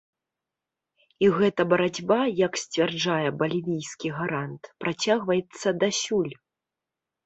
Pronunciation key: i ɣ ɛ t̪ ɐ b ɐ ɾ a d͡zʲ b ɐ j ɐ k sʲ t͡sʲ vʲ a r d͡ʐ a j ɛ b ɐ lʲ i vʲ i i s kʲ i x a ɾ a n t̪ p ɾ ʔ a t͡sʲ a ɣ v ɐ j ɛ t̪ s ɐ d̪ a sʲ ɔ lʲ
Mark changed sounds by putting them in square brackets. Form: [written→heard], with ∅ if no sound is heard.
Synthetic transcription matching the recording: i ɣ ɛ t̪ ɐ b ɐ ɾ a d͡zʲ b [ɐ→a] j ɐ k sʲ t͡sʲ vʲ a r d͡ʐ a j ɛ b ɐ lʲ i vʲ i [i→j] s kʲ i [x→ɣ] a ɾ a n t̪ p ɾ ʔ a t͡sʲ a ɣ v ɐ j ɛ t̪ [s→sː] ɐ d̪ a sʲ [ɔ→u] lʲ

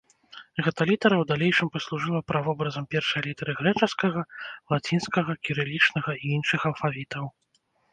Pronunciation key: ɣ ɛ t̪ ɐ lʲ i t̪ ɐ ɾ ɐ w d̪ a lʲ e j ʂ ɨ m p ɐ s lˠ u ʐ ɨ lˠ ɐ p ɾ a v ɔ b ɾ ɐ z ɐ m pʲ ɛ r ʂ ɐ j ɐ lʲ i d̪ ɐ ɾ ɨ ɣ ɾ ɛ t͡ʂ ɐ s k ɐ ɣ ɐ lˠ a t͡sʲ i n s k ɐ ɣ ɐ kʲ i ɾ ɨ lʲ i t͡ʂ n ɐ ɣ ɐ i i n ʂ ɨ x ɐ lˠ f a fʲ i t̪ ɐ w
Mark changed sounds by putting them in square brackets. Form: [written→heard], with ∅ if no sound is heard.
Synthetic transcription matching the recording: ɣ ɛ t̪ ɐ lʲ i t̪ ɐ ɾ ɐ w d̪ a lʲ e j ʂ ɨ m p ɐ s lˠ u ʐ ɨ lˠ ɐ p ɾ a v ɔ b ɾ ɐ z ɐ m pʲ ɛ r ʂ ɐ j ɐ lʲ i [d̪→t̪] ɐ ɾ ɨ ɣ ɾ ɛ t͡ʂ ɐ s k ɐ ɣ ɐ lˠ a t͡sʲ i n s k ɐ ɣ ɐ kʲ i ɾ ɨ lʲ i t͡ʂ n ɐ ɣ ɐ i i n ʂ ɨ x ɐ lˠ f a [fʲ→vʲ] i t̪ ɐ w

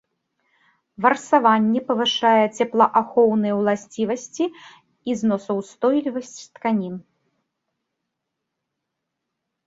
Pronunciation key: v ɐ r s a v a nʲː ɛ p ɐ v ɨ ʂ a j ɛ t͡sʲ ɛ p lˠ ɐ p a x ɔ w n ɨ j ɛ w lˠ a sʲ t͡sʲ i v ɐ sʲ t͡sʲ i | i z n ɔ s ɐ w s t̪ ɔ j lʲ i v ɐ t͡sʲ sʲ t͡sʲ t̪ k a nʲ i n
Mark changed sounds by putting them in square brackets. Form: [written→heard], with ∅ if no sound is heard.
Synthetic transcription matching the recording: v ɐ r s a v a nʲː ɛ p ɐ v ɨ ʂ a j ɛ t͡sʲ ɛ p lˠ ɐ [p→ʔ] a x ɔ w n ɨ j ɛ w lˠ a sʲ t͡sʲ i v ɐ sʲ t͡sʲ i | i z n ɔ s ɐ w s t̪ ɔ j lʲ i v ɐ [t͡sʲ→∅] sʲ t͡sʲ t̪ k a nʲ i n

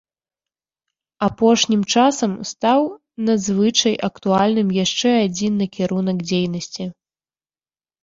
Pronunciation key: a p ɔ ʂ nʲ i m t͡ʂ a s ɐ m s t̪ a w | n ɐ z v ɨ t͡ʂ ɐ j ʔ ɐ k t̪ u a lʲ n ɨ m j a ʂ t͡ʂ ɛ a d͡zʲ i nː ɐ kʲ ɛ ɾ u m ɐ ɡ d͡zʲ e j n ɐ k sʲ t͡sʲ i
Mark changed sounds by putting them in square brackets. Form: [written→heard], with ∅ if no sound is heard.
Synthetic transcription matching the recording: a p ɔ ʂ nʲ i m t͡ʂ a s ɐ m s t̪ a w | n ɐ z v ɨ t͡ʂ ɐ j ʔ ɐ k t̪ u a lʲ n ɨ m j a ʂ t͡ʂ ɛ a d͡zʲ i nː ɐ kʲ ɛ ɾ u [m→n] ɐ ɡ d͡zʲ e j n ɐ [k→∅] sʲ t͡sʲ i

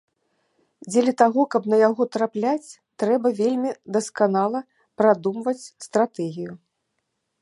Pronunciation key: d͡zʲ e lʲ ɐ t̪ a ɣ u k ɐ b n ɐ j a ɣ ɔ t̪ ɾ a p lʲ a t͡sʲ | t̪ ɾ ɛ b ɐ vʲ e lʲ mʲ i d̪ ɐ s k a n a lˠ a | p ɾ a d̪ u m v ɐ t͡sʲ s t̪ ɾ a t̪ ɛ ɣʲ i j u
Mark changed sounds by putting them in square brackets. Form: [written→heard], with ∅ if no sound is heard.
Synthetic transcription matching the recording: d͡zʲ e lʲ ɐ t̪ a ɣ [u→ɔ] k ɐ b n ɐ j a ɣ ɔ t̪ ɾ a p lʲ a t͡sʲ | t̪ ɾ ɛ b ɐ vʲ e lʲ mʲ i d̪ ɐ s k a n a lˠ [a→ɐ] | p ɾ a d̪ u m v ɐ t͡sʲ s t̪ ɾ a t̪ ɛ ɣʲ i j u

